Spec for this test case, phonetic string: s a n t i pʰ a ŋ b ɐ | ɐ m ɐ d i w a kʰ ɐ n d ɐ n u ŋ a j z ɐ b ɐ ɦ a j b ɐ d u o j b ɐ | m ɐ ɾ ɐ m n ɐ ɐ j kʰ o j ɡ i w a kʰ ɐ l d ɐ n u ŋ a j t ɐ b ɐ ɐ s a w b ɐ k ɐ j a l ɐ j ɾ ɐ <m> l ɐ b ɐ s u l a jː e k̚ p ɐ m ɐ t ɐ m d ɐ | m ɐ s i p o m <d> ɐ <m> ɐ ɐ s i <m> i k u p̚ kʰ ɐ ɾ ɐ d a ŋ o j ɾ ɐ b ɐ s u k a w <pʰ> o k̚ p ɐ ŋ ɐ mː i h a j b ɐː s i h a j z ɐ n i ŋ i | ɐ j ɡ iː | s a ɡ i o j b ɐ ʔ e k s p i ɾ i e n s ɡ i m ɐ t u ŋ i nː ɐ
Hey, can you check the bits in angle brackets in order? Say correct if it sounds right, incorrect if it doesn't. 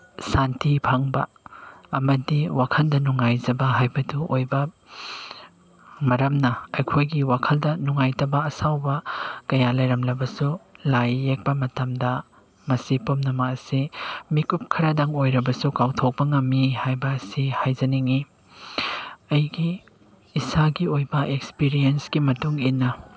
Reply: correct, incorrect: n, correct, correct, incorrect: tʰ

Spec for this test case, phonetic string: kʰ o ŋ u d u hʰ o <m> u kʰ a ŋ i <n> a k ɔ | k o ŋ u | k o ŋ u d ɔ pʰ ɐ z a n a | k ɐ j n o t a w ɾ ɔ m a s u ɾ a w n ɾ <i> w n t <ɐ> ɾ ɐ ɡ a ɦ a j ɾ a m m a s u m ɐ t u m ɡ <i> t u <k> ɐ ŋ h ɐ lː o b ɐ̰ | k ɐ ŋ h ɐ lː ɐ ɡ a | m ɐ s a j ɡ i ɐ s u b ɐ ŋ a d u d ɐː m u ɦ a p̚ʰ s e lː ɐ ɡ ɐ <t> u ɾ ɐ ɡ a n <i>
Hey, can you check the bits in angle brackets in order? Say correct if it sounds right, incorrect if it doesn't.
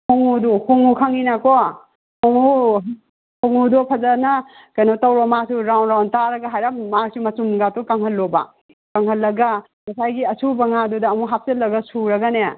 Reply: incorrect: ŋ, correct, incorrect: a, incorrect: a, incorrect: a, correct, incorrect: s, incorrect: e

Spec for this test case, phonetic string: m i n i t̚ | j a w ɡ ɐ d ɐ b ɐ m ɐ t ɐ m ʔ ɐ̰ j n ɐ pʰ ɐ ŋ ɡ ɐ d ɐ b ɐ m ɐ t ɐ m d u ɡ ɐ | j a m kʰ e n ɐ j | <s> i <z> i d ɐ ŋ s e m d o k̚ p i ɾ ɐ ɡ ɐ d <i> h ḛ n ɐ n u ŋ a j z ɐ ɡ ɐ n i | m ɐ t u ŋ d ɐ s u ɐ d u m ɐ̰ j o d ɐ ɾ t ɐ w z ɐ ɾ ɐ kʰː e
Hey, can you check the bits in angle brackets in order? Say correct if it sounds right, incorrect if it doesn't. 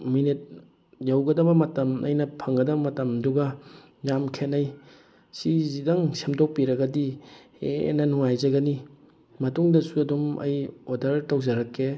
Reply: correct, correct, correct

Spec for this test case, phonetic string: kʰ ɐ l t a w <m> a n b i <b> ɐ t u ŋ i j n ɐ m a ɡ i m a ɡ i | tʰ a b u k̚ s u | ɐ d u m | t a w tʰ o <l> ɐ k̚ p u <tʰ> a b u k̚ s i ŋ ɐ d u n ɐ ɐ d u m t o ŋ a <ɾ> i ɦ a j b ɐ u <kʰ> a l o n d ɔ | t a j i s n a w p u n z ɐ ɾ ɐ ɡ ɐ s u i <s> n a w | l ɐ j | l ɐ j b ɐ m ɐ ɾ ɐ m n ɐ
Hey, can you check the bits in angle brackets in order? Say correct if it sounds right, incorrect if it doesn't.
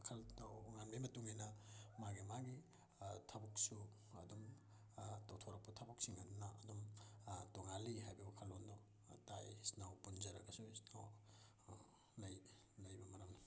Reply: incorrect: ŋ, incorrect: m, incorrect: ɾ, correct, incorrect: l, correct, correct

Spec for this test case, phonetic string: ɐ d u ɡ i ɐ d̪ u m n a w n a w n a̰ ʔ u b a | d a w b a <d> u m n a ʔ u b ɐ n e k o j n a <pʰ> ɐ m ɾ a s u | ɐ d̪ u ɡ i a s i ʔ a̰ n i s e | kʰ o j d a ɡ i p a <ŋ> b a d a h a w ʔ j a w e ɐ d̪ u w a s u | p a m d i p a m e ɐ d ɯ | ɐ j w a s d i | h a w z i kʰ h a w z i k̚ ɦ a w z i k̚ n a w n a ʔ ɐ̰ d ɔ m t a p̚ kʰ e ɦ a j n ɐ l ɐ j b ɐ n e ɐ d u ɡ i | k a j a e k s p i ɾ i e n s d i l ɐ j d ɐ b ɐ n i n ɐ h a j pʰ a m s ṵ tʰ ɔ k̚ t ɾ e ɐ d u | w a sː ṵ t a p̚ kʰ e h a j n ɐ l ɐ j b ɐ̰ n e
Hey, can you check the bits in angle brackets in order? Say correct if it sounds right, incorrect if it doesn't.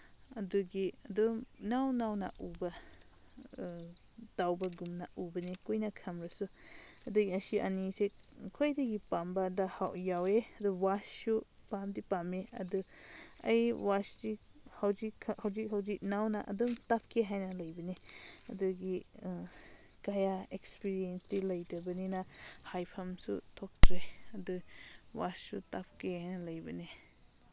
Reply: incorrect: ɡ, incorrect: kʰ, incorrect: m

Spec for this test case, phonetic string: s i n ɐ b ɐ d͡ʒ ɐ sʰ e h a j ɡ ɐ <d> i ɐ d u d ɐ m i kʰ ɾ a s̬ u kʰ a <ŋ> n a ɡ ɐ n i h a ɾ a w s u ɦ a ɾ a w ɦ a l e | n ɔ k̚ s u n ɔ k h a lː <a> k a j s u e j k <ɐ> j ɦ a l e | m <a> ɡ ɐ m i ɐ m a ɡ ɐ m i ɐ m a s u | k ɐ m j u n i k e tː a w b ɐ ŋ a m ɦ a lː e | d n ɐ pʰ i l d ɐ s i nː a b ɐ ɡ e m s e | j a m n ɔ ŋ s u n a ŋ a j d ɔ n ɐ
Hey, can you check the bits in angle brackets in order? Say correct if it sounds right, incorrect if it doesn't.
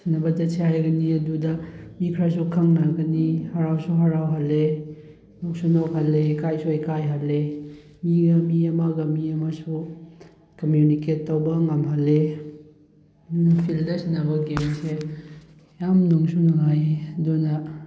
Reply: incorrect: n, correct, incorrect: e, incorrect: a, incorrect: i

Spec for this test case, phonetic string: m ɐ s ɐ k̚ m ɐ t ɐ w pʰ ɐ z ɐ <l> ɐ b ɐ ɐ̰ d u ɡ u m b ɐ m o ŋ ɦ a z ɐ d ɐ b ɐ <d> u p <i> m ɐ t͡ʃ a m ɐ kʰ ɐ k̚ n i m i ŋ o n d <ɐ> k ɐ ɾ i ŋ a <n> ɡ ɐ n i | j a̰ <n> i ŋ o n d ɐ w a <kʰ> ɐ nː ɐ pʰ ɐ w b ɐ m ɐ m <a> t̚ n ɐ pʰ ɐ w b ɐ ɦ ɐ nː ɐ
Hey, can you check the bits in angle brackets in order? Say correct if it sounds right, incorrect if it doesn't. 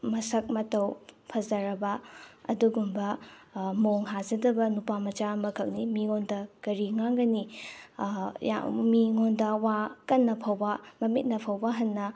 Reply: incorrect: ɾ, incorrect: n, incorrect: a, correct, incorrect: ŋ, incorrect: m, incorrect: k, incorrect: i

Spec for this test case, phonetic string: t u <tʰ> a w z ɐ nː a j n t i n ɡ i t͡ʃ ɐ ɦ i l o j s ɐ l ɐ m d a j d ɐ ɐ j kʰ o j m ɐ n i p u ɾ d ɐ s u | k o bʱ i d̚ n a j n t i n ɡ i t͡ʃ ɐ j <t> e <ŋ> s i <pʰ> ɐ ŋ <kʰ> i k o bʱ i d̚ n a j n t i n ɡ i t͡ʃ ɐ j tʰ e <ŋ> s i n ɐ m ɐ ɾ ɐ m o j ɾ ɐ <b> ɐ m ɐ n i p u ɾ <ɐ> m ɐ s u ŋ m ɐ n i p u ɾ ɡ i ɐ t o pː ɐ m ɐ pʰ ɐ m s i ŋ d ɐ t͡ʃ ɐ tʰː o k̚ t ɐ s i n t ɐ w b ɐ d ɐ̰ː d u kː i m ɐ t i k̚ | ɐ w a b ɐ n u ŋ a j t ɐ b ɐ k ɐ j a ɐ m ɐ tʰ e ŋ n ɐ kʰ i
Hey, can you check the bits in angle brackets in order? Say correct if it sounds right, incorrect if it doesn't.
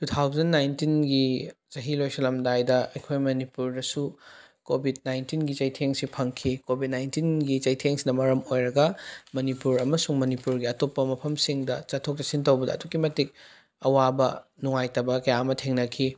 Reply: correct, incorrect: tʰ, correct, correct, correct, correct, incorrect: ɡ, correct

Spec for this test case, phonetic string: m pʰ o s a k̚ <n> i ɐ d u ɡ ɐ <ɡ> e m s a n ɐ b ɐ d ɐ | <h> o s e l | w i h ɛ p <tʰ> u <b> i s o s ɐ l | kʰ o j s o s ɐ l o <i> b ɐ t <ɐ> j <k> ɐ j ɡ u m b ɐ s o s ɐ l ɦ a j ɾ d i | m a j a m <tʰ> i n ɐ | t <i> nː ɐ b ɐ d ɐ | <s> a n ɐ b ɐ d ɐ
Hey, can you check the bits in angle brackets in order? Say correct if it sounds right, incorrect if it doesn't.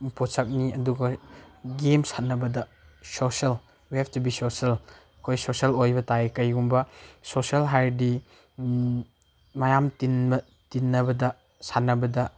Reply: correct, correct, incorrect: s, incorrect: t, correct, incorrect: j, incorrect: a, correct, incorrect: t, correct, correct

